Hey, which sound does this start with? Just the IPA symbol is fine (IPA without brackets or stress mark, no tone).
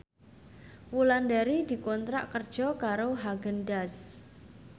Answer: w